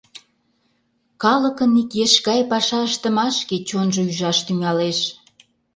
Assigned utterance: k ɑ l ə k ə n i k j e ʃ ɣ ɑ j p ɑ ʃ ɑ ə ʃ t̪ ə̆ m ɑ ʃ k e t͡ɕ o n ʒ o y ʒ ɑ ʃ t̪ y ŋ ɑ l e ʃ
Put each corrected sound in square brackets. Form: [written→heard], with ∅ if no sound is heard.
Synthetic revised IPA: k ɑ l ə k ə n i k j e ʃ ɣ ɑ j p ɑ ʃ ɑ ə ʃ t̪ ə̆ m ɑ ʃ k e t͡ɕ o n ʒ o y ʒ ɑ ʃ t̪ y ŋ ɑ l e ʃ